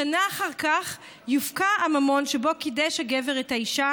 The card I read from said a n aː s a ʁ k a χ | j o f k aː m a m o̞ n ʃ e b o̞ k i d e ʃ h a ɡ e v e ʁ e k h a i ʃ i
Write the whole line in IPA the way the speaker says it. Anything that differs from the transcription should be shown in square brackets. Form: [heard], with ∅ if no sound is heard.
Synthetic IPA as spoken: a n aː [χ] a ʁ k a χ | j [u] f k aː m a m o̞ n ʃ e b o̞ k i d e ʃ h a ɡ e v e ʁ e [t] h a i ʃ [a]

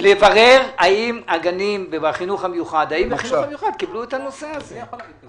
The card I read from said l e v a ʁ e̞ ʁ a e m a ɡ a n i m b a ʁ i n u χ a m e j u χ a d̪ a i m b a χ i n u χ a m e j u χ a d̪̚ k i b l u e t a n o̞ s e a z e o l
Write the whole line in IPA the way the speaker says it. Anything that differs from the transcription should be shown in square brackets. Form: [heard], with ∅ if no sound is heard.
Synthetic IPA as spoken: l e v a ʁ e̞ ʁ a [i] m a ɡ a n i m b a [χ] i n u χ a m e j u χ a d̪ a i m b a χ i n u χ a m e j u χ a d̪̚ k i b l u e t a n o̞ s e a z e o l

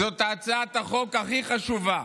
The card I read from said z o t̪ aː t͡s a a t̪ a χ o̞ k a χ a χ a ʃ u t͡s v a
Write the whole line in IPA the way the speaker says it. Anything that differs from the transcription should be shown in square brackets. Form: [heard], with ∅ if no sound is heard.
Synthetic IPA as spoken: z o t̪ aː t͡s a a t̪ a χ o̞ k a χ [i] χ a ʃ u [∅] v a

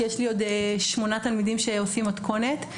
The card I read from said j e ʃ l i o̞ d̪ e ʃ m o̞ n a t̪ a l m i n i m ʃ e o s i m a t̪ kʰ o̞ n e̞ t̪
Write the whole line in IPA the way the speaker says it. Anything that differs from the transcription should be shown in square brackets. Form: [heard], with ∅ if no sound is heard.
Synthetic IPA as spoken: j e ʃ l i o̞ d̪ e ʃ m o̞ n a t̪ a l m i [d] i m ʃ e o s i m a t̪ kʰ o̞ n e̞ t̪

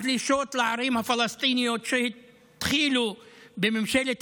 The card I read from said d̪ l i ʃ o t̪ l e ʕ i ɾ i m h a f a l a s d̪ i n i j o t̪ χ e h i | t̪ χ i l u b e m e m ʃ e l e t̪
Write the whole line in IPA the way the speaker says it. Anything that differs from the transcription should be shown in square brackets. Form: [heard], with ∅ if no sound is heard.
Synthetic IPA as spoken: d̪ l i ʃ o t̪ l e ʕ [a] ɾ i m h a f a l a s [t̪] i n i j o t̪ [ʃ] e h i | t̪ χ i l u b e m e m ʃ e l e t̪

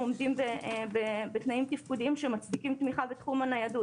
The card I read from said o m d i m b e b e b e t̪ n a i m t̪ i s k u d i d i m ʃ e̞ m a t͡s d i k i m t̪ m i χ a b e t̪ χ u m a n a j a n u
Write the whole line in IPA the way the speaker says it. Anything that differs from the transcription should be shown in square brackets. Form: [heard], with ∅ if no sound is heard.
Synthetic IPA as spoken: o m d i m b e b e b e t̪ n a i m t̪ i [f] k u d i [∅] i m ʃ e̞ m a t͡s d i k i m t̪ m i χ a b e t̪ χ u m a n a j a [d] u

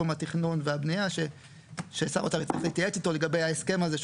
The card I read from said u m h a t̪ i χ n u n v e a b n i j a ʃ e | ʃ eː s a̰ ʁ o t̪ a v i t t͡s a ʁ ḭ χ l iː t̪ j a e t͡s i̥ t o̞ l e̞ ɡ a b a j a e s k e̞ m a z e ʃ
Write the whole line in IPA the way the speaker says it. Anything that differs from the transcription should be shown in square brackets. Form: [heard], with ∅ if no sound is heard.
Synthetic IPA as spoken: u m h a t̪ i χ n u n v e a b n i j a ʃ e | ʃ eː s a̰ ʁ o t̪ a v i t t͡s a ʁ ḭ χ l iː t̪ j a e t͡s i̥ t o̞ l e̞ ɡ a b [e] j a e s k e̞ m a z e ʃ

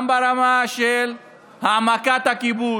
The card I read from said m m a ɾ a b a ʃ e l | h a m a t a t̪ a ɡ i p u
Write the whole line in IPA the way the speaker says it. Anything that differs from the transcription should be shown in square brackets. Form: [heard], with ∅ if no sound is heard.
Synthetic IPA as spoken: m [b] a ɾ a [m] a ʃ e l | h a m a [k] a t̪ a [k] i [b] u

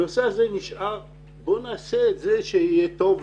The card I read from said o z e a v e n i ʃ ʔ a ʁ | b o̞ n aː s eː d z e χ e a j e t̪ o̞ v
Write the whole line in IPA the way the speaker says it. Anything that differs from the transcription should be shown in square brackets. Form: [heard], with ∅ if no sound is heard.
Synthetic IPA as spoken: o [s] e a [z] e n i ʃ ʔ a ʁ | b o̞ n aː s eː [t] z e [ʃ] e [i] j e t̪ o̞ v

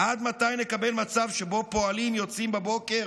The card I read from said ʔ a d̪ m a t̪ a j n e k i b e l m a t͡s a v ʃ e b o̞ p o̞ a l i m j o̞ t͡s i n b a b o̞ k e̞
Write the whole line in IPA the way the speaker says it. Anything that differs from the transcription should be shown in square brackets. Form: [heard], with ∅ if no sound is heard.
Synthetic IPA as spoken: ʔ a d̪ m a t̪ a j n e k [a] b e l m a t͡s a v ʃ e b o̞ p o̞ a l i m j o̞ t͡s i [m] b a b o̞ k e̞

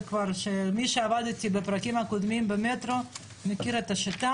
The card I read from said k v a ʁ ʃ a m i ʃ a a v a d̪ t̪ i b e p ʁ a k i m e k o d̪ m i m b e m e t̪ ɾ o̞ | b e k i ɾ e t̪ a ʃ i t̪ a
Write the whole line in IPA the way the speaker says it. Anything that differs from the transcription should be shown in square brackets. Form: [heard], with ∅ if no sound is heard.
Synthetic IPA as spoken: k v a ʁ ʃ [e] m i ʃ [e] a v a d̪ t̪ i b e p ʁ a k i m [a] k o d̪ m i m b e m e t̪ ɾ o̞ | [m] e k i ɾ e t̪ a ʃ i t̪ a

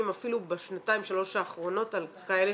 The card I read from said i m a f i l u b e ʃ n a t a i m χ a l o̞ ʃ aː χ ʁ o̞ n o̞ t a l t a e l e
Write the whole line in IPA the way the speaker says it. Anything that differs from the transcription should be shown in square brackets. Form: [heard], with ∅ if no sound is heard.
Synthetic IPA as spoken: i m a f i l u b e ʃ n a t a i m [ʃ] a l o̞ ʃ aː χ ʁ o̞ n o̞ t a l [k] a e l e

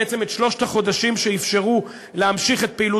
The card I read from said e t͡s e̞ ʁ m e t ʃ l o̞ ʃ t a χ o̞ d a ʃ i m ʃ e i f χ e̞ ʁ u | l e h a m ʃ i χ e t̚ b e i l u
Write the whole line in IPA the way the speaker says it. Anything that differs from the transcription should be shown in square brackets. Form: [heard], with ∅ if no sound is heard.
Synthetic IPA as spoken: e t͡s e̞ [∅] m e t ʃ l o̞ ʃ t a χ o̞ d a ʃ i m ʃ e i f [ʃ] e̞ ʁ u | l e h a m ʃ i χ e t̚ [p] e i l u

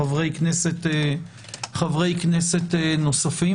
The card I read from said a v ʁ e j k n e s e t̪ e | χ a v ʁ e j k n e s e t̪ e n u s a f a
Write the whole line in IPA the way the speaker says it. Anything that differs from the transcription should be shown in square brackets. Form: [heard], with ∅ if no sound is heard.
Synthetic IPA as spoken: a v ʁ e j k n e s e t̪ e | χ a v ʁ e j k n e s e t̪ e n [o] s a f [i]

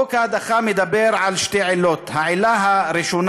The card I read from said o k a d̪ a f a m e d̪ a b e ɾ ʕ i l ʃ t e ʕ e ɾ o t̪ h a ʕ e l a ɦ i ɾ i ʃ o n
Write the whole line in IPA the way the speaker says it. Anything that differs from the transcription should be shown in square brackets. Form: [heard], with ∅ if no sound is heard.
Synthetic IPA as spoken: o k a d̪ a [χ] a m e d̪ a b e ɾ ʕ [a] l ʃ t e ʕ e [l] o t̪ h a ʕ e l a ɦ [a] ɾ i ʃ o n

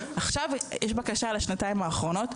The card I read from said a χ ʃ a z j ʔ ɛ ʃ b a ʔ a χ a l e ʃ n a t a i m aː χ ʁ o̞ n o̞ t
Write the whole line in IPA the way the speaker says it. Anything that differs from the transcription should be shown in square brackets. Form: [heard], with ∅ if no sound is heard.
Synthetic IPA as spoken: a χ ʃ a [v] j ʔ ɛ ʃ b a [k] a [ʃ] a l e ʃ n a t a i m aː χ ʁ o̞ n o̞ t

